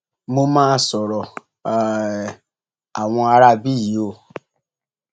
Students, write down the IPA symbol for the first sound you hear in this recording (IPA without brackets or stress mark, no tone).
m